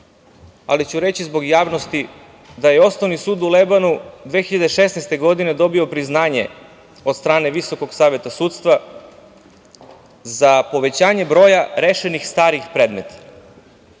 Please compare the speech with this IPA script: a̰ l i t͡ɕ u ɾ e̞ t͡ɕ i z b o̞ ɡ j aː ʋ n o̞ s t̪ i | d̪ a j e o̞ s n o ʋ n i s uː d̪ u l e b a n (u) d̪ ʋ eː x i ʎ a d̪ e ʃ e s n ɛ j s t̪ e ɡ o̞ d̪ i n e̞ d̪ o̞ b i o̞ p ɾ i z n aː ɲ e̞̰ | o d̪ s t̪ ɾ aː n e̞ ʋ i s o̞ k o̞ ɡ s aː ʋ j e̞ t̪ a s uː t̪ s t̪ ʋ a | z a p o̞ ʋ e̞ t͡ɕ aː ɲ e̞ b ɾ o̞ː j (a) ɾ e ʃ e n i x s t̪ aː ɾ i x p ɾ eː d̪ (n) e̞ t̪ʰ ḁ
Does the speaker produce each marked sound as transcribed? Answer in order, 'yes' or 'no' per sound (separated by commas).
yes, yes, no